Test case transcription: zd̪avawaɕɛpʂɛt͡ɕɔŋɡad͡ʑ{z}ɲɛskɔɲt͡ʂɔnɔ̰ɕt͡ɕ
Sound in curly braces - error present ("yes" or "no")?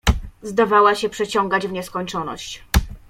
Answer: yes